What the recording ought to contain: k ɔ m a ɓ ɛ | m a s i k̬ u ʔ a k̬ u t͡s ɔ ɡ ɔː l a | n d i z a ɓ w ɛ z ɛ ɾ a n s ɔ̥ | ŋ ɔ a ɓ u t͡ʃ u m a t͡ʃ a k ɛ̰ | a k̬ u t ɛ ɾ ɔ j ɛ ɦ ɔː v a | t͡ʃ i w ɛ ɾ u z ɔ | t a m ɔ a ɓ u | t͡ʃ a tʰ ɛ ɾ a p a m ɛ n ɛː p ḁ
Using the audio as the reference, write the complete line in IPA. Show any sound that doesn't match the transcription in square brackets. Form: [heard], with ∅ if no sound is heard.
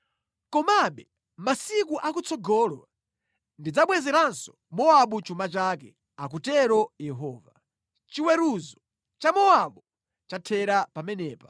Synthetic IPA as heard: k ɔ m a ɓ ɛ | m a s i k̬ u ʔ a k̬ u t͡s ɔ ɡ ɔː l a | n d i [d͡z] a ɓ w ɛ z ɛ ɾ a n s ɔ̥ | [m] ɔ a ɓ u t͡ʃ u m a t͡ʃ a k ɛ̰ | a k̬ u t ɛ ɾ ɔ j ɛ ɦ ɔː v a | t͡ʃ i w ɛ ɾ u z ɔ | [t͡ʃ] a m ɔ a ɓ u | t͡ʃ a tʰ ɛ ɾ a p a m ɛ n ɛː p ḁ